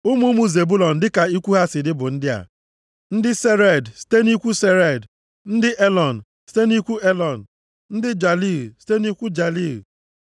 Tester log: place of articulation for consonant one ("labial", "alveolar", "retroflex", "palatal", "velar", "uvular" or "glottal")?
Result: labial